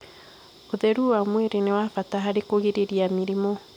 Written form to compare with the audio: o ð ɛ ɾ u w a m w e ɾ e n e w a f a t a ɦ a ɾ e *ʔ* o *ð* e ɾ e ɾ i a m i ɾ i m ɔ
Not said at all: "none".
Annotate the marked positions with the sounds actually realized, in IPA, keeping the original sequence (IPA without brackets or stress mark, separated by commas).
k, ɣ